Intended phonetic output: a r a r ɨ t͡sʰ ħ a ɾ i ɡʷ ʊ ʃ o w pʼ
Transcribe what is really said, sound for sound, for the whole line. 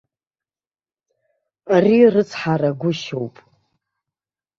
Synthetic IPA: a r i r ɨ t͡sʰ ħ a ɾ a ɡʷ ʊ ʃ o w pʼ